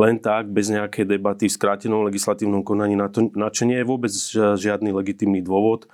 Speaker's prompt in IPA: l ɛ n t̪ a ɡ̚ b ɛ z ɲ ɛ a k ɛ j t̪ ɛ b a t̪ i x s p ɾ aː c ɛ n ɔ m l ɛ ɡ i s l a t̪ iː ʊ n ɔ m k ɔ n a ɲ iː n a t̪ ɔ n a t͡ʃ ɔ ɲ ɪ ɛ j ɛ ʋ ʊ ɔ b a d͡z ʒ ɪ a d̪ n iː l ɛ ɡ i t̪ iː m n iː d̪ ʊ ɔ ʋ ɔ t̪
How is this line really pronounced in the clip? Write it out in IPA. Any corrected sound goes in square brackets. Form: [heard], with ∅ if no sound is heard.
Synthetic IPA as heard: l ɛ n t̪ a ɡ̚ b ɛ z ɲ ɛ a k ɛ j [d̪] ɛ b a t̪ i [f] s [k] ɾ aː c ɛ n ɔ m l ɛ ɡ i s l a t̪ iː ʊ n ɔ m k ɔ n a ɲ iː n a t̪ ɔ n a t͡ʃ ɔ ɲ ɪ ɛ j ɛ ʋ ʊ ɔ b [ɛ] d͡z ʒ ɪ a d̪ n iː l ɛ ɡ i t̪ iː m n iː d̪ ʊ ɔ ʋ ɔ t̪